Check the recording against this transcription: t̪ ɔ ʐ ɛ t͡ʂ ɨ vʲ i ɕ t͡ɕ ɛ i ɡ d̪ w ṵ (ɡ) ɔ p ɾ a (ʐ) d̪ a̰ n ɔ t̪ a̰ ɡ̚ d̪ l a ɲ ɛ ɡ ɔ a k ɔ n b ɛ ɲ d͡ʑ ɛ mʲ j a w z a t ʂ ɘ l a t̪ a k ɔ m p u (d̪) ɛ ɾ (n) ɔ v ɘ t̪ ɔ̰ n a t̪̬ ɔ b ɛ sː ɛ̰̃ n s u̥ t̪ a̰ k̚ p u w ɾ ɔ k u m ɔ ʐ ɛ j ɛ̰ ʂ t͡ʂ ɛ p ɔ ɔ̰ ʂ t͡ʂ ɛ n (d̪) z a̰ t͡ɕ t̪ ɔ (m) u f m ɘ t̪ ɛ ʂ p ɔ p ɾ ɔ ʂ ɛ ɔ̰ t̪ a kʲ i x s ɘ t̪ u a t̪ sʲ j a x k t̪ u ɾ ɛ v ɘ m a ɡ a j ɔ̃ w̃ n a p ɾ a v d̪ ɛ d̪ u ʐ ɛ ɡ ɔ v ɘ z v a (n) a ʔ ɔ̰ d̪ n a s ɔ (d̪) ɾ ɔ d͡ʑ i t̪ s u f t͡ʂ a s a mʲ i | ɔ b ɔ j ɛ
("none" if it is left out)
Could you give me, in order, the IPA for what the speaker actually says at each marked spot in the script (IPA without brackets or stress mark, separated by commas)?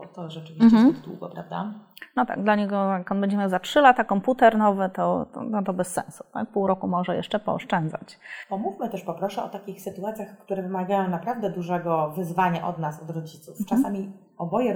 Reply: ɡ, v, t̪, n, d̪, m, ɲ, d̪